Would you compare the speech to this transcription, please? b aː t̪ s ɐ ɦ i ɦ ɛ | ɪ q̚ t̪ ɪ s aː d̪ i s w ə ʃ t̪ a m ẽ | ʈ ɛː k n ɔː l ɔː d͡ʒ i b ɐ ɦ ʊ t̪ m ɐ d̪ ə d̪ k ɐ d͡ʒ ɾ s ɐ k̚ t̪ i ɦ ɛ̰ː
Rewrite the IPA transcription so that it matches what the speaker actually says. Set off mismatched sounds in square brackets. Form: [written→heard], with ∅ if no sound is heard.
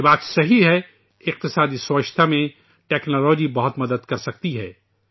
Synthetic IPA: b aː t̪ s ɐ ɦ i ɦ ɛ | ɪ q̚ t̪ ɪ s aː d̪ i s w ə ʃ [t̪→t̪ʰ] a m ẽ | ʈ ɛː k n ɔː l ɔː d͡ʒ i b ɐ ɦ ʊ t̪ m ɐ d̪ ə d̪ k ɐ [d͡ʒ→∅] ɾ s ɐ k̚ t̪ i ɦ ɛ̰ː